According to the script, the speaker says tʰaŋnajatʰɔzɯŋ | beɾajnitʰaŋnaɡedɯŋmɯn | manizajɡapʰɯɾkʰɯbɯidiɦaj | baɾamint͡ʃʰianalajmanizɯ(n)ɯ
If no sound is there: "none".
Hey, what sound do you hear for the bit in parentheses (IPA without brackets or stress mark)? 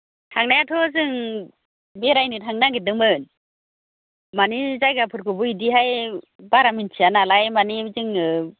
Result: ŋ